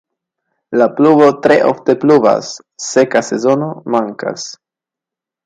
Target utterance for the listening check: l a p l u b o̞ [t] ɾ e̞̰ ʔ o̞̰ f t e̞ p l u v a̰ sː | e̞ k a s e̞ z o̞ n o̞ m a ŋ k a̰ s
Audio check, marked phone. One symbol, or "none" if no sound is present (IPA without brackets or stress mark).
t